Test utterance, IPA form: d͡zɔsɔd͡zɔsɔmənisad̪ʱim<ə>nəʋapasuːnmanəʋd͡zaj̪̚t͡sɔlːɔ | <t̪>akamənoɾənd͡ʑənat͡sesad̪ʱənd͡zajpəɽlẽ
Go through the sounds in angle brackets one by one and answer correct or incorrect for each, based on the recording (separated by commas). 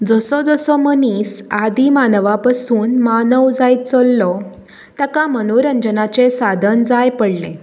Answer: incorrect, correct